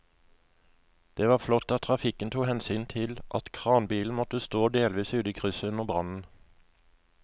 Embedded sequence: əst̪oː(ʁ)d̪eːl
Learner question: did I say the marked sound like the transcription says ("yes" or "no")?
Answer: no